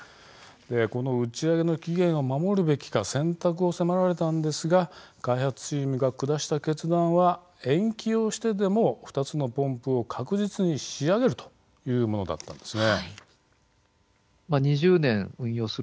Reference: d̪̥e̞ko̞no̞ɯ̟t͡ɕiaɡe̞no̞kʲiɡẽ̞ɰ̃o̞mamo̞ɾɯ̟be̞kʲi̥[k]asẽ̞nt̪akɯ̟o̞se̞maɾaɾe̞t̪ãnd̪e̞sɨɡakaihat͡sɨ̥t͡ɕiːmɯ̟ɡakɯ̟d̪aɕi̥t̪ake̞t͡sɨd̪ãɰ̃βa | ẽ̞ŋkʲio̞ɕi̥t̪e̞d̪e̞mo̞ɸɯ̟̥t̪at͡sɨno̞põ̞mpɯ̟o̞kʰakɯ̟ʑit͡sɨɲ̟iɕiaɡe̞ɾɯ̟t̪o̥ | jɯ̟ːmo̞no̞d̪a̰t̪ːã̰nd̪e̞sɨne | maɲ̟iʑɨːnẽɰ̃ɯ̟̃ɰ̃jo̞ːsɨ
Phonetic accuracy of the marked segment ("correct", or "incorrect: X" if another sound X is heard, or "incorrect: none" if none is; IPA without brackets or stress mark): correct